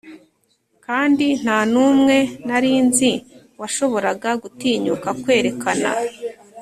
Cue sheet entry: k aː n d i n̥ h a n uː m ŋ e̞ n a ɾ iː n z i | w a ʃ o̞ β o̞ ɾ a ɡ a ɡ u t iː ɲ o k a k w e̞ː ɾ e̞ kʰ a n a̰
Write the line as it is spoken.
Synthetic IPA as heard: k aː n d i n̥ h a n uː m ŋ e̞ n a ɾ iː n z i | w a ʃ o̞ β o̞ ɾ a ɡ a ɡ u t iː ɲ u k a k w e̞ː ɾ e̞ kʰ a n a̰